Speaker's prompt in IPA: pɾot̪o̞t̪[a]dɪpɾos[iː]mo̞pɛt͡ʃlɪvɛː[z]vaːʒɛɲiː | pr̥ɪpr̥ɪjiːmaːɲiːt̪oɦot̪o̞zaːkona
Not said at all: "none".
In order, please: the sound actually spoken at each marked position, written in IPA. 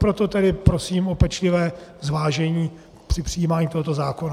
ɛ, iː, z

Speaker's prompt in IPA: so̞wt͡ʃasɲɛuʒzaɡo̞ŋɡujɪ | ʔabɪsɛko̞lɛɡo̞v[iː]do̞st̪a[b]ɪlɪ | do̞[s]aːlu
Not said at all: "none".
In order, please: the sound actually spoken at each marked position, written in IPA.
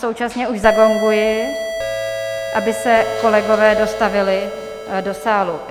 ɛː, v, s

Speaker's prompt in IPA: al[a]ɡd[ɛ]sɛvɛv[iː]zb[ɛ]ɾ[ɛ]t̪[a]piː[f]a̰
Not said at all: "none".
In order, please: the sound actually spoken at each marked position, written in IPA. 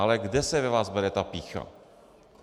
ɛ, ɛ, aː, ɛ, ɛ, a, x

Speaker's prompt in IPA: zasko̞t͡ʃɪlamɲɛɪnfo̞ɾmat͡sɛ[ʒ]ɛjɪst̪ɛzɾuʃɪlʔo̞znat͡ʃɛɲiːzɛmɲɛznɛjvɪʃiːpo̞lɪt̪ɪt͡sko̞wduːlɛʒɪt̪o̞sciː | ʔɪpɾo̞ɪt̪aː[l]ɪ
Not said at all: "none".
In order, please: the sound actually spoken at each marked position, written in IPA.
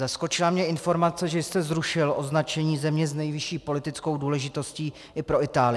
ʒ, l

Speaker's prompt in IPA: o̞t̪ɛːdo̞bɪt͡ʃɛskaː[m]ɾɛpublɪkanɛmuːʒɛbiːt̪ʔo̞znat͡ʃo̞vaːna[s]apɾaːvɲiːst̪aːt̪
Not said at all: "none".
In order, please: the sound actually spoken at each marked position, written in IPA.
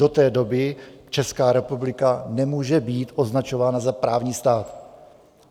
none, z

